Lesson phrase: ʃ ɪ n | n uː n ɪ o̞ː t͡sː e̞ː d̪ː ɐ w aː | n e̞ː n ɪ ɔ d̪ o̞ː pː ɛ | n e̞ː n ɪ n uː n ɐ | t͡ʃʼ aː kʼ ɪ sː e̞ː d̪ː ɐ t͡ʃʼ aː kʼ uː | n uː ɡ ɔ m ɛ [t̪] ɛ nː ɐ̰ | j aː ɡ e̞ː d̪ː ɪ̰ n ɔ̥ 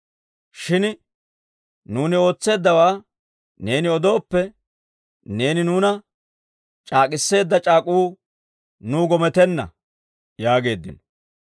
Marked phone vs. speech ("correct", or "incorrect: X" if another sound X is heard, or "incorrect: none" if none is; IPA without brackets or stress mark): correct